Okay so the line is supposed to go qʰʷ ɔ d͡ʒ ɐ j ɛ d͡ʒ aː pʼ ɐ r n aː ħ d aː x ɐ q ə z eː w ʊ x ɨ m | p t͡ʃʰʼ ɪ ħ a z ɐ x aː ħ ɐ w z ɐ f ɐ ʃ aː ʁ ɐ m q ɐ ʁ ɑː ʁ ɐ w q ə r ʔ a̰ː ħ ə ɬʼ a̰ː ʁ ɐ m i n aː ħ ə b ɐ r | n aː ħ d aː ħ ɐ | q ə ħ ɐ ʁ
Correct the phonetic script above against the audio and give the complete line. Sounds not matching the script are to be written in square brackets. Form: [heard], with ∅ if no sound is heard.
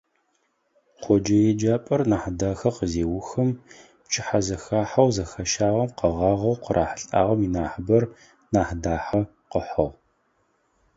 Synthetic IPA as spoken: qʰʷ ɔ d͡ʒ ɐ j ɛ d͡ʒ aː pʼ ɐ r n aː ħ d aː x ɐ q ə z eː w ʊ x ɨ m | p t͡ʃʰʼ ɪ ħ a z ɐ x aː ħ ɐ w z ɐ [x] ɐ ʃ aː ʁ ɐ m q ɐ ʁ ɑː ʁ ɐ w q ə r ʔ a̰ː ħ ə ɬʼ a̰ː ʁ ɐ m i n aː ħ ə b ɐ r | n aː ħ d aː ħ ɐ | q ə ħ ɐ ʁ